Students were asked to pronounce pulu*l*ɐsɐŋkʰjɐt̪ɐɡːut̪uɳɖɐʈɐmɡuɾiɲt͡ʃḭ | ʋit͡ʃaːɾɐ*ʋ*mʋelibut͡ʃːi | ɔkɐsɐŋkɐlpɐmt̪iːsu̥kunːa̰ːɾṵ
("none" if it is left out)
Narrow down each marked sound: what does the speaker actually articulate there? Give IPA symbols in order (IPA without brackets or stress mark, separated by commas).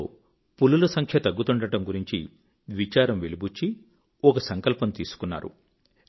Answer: l, none